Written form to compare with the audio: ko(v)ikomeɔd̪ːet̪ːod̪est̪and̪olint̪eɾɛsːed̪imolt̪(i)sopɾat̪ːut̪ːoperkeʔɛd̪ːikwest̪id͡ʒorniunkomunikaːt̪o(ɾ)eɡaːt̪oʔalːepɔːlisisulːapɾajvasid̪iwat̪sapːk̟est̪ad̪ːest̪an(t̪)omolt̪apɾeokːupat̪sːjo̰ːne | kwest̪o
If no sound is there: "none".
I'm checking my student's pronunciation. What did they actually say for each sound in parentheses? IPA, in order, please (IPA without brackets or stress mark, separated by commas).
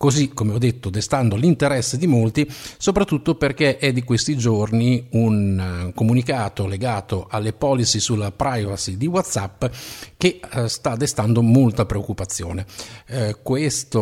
z, i, l, d̪